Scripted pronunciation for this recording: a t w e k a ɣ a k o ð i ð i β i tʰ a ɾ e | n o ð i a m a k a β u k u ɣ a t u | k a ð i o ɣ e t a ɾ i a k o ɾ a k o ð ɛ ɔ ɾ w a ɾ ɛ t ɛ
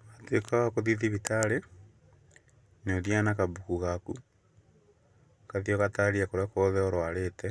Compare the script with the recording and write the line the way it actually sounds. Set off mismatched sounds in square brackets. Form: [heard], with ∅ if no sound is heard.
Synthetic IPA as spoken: a t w e k a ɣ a k o ð i ð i β i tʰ a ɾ e | n o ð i a [n] a k a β u k u ɣ a [k] u | k a ð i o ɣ [a] t a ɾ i a k o ɾ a k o ð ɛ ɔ ɾ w a ɾ [e] t ɛ